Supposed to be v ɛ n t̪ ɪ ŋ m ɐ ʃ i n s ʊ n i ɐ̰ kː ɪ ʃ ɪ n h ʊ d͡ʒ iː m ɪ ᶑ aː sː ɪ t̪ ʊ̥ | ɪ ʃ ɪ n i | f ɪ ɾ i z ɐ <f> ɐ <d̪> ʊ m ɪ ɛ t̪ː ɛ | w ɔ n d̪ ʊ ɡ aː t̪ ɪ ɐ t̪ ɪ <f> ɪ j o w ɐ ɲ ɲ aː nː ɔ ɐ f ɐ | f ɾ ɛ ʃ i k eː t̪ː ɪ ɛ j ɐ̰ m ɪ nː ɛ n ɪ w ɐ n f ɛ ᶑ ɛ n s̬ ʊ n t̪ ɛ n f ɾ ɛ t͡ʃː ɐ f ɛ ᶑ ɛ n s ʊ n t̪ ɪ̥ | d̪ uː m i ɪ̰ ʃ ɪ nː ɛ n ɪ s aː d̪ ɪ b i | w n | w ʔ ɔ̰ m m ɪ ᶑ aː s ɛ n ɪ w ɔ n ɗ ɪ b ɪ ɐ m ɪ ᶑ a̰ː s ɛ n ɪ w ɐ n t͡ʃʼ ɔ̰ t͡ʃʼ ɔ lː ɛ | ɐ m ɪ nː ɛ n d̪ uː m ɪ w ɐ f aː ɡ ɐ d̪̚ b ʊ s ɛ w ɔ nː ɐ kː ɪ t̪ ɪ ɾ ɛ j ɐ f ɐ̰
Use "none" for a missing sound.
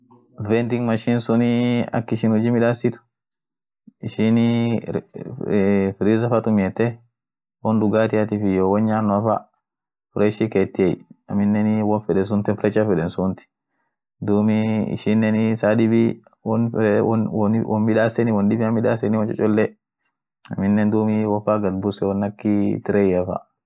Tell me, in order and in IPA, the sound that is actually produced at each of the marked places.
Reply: f, t̪, f

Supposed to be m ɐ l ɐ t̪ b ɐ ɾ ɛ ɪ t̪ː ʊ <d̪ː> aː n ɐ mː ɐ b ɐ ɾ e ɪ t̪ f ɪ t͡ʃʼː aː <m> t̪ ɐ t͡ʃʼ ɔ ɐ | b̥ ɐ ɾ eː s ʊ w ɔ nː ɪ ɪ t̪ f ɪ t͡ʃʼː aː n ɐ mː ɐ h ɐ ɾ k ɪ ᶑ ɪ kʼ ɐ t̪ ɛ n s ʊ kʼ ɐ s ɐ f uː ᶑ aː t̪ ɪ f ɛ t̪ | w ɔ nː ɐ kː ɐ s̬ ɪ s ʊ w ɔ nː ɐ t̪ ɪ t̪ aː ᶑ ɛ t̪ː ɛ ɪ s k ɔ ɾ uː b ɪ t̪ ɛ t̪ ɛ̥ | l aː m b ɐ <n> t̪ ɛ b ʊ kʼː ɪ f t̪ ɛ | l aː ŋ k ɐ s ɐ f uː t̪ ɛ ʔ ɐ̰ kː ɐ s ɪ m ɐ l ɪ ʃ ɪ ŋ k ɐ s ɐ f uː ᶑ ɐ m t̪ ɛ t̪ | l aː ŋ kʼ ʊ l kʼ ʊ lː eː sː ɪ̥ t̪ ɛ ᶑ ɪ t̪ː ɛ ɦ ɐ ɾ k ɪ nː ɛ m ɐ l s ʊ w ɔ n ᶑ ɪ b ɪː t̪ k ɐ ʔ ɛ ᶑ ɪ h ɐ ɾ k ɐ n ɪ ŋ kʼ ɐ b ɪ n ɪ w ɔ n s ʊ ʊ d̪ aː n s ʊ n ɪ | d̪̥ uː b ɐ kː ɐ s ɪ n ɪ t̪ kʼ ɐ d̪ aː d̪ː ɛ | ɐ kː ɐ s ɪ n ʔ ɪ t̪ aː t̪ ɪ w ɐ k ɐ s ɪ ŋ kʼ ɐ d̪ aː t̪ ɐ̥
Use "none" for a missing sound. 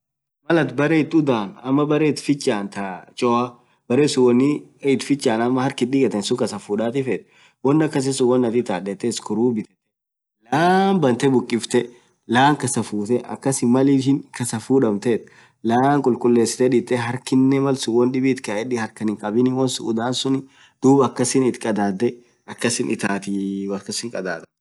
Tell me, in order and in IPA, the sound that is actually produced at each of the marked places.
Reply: d̪, n, n

